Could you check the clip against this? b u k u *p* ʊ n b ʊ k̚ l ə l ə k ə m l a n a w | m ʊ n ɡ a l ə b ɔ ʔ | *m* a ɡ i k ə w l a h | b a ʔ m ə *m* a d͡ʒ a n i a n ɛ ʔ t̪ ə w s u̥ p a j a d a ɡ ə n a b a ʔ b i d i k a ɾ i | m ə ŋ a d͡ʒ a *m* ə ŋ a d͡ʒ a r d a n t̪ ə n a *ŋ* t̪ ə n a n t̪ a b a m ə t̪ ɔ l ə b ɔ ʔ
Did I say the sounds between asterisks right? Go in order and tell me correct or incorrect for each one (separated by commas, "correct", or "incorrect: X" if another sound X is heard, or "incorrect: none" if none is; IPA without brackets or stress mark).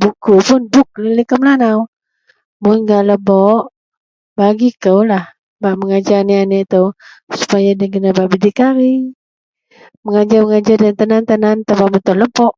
correct, incorrect: b, incorrect: ŋ, correct, incorrect: n